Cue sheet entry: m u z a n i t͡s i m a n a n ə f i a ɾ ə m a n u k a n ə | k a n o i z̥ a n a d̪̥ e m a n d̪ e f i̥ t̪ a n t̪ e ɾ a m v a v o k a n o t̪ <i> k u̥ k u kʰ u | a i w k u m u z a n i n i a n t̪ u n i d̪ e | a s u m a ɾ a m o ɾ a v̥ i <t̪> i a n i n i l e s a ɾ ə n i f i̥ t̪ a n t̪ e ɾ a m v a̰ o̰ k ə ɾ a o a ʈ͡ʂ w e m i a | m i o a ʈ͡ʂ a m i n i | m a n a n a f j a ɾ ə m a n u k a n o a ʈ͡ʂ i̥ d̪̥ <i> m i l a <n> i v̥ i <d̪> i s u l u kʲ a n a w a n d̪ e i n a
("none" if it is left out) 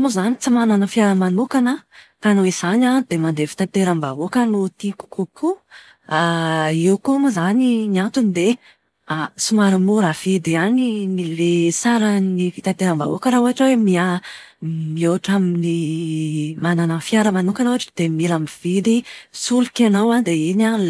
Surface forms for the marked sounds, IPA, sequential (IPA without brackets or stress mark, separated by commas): i, d̪, e, m, d̪